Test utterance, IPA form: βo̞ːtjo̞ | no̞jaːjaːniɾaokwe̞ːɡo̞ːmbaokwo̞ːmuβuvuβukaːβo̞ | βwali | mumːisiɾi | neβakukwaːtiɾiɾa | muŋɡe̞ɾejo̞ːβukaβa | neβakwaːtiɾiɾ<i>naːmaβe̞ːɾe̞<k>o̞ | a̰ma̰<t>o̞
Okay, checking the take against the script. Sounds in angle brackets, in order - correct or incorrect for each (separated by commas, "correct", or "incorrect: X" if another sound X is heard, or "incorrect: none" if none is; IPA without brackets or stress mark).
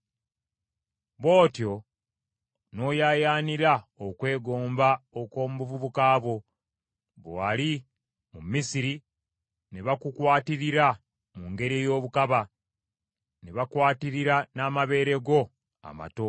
incorrect: a, incorrect: ɡ, correct